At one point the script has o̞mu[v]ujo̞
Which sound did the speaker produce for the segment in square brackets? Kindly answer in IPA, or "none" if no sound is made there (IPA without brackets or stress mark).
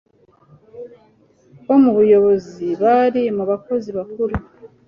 β